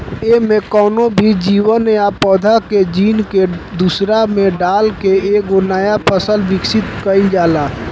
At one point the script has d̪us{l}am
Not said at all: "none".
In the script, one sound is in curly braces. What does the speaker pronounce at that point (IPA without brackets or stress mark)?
ɾ